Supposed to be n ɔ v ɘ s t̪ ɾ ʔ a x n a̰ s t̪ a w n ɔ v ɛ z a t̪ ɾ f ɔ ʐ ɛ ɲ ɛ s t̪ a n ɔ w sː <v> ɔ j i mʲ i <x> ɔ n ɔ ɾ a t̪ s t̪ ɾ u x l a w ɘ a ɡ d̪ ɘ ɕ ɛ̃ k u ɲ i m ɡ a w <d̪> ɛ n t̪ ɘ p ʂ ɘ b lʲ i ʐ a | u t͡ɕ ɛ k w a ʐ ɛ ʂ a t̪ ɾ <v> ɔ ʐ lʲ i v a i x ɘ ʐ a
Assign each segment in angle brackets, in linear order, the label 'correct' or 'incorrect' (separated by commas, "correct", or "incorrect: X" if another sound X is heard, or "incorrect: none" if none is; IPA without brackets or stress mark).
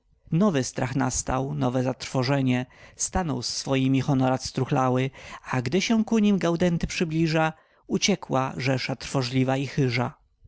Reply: incorrect: f, correct, correct, incorrect: f